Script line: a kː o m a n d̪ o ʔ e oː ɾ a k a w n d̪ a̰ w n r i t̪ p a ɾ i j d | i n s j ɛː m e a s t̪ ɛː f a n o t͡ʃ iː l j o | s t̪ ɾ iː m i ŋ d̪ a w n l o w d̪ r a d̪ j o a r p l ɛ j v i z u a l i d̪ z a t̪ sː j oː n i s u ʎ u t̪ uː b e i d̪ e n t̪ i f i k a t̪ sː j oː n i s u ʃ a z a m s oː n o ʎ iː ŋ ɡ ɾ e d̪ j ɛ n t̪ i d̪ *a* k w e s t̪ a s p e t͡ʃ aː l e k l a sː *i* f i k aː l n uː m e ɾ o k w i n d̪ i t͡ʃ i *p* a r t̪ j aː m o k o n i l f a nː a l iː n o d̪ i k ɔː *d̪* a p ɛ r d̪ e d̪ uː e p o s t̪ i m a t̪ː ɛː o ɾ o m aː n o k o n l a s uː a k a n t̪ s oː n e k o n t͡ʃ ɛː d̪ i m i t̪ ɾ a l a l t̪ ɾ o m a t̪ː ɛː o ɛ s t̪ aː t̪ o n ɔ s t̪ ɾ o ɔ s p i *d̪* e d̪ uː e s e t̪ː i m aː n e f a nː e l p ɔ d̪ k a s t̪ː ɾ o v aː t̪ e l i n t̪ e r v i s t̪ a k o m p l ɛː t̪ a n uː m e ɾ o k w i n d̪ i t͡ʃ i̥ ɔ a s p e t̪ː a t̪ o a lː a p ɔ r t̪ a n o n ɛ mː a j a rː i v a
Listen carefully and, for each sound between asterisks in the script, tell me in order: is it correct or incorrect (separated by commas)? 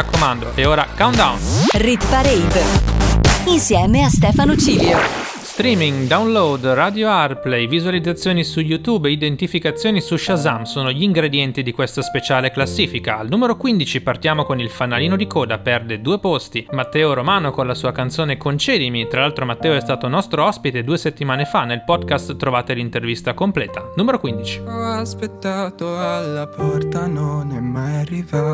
incorrect, incorrect, correct, correct, incorrect